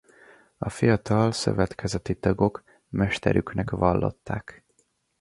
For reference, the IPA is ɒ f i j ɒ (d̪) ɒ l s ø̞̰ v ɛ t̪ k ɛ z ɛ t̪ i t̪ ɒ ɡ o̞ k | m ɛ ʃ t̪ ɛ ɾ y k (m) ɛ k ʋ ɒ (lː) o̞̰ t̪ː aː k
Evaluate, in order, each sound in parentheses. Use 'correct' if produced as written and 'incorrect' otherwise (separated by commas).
incorrect, incorrect, correct